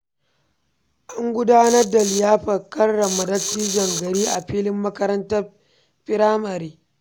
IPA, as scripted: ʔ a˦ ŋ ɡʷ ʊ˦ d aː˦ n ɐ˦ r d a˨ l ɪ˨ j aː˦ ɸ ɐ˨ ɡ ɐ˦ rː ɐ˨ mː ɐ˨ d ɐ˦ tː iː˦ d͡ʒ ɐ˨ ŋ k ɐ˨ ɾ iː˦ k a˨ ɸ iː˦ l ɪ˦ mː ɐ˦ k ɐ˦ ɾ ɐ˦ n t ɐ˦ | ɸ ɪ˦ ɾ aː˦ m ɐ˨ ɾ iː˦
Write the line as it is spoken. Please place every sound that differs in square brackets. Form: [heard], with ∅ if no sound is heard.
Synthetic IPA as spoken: ʔ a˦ ŋ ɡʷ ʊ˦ d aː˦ n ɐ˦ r d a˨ l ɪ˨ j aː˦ ɸ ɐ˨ [k] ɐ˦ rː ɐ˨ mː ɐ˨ d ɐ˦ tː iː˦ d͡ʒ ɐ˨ ŋ [ɡ] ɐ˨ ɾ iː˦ [ʔ] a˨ ɸ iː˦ l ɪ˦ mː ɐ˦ k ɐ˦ ɾ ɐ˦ n t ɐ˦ | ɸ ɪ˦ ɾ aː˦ m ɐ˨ ɾ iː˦

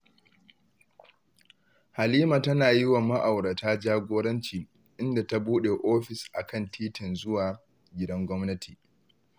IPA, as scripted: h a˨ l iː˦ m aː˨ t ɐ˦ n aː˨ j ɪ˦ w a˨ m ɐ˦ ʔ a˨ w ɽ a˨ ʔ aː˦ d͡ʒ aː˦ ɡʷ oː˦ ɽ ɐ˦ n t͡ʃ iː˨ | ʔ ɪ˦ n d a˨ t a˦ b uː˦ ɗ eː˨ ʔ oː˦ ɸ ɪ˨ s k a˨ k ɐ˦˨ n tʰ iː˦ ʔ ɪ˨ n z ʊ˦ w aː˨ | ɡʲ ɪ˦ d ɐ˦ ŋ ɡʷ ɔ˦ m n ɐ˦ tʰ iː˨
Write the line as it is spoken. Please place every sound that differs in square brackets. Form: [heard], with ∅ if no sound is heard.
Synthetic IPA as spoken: h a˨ l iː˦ m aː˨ t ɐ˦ n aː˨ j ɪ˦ w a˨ m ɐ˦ ʔ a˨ w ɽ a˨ [t] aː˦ d͡ʒ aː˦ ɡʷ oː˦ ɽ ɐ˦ n t͡ʃ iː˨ | ʔ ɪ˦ n d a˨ t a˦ b uː˦ ɗ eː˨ ʔ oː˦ ɸ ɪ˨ s [ʔ] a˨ k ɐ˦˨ n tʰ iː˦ [t] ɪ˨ n z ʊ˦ w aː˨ | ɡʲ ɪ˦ d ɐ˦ ŋ ɡʷ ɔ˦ m n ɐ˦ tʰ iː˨

